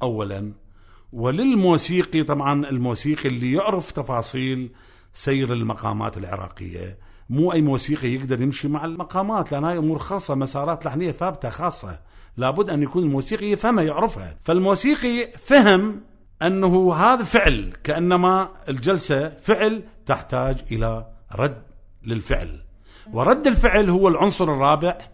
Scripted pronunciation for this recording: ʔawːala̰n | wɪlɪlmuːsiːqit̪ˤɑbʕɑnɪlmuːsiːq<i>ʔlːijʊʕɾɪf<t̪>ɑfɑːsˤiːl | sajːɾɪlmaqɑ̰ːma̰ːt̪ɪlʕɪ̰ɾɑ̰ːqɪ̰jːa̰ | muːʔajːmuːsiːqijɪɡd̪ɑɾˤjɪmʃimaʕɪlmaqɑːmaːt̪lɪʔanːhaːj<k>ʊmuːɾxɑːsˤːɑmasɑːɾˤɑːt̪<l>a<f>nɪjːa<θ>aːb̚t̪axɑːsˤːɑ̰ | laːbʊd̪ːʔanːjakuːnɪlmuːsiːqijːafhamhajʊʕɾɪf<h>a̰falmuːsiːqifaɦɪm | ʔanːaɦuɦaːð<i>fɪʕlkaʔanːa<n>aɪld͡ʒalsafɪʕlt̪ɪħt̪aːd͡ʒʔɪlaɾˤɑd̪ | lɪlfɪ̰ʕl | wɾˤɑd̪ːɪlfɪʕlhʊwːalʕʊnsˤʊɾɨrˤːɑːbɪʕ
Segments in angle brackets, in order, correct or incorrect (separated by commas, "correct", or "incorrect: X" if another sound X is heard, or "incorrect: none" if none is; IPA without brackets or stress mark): correct, correct, incorrect: ʔ, correct, incorrect: ħ, correct, correct, incorrect: a, incorrect: m